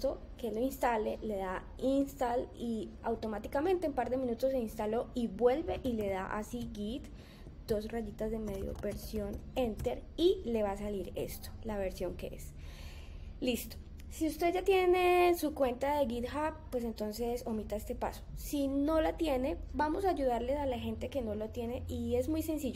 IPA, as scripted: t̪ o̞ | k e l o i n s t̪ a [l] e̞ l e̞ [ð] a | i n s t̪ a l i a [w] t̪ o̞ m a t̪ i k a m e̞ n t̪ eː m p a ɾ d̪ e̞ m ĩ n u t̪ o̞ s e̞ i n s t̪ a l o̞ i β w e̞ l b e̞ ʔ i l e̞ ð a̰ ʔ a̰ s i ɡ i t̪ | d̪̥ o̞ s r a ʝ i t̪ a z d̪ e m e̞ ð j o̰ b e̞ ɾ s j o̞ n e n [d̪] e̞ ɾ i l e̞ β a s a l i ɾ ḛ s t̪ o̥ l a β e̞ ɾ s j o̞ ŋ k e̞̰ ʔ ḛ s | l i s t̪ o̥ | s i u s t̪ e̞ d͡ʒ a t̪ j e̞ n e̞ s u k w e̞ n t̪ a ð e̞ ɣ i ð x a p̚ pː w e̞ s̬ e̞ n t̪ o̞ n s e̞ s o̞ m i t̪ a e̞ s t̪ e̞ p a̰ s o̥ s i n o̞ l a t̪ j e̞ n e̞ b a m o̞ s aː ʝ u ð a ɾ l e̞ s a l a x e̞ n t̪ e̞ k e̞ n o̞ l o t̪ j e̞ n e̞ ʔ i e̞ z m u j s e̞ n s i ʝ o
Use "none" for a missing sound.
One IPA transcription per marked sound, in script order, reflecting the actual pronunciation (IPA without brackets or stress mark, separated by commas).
l, ð, w, t̪